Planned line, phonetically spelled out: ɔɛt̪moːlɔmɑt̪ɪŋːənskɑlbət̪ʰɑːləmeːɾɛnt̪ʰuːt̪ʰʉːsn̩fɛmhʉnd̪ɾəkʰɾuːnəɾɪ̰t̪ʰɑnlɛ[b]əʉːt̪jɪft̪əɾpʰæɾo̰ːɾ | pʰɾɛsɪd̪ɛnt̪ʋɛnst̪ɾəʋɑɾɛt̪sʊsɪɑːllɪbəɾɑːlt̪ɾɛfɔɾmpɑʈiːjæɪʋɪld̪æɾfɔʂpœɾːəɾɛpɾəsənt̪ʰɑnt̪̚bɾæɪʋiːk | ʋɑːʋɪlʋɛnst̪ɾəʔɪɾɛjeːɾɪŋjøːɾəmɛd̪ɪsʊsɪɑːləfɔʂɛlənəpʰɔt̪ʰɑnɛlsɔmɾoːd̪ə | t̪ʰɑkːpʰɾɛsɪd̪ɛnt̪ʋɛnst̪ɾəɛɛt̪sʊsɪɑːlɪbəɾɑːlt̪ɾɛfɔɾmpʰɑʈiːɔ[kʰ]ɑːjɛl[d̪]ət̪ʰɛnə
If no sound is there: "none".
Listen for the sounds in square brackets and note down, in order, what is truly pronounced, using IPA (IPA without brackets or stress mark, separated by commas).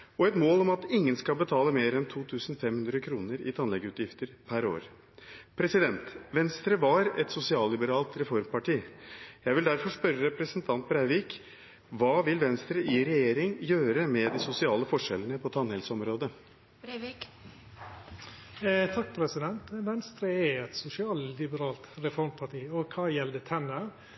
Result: ɡ, kʰ, d̪